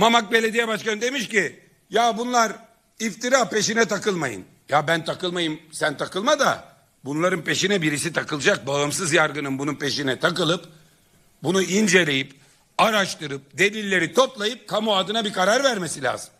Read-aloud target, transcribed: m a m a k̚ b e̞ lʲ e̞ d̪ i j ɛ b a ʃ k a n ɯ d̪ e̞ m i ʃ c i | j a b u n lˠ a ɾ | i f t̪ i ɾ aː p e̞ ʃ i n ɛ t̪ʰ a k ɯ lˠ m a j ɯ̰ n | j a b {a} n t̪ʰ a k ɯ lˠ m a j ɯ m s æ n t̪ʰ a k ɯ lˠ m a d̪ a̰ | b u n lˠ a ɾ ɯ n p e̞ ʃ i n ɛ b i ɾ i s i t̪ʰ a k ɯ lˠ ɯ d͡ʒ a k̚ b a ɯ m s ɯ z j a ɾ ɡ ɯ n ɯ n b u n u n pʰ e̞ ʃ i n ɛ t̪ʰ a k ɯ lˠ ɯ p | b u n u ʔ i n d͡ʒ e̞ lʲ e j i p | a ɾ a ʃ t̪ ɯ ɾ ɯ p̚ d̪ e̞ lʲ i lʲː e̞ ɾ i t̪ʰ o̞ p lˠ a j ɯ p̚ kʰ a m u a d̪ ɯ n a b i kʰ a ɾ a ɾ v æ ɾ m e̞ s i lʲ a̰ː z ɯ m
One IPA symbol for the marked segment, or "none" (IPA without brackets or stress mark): æ